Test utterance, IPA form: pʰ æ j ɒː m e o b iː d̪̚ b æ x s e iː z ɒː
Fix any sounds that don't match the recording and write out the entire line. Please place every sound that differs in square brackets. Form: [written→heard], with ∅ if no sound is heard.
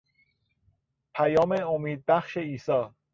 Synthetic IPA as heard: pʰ æ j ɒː m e o [b→m] iː d̪̚ b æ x [s→ʃ] e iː [z→s] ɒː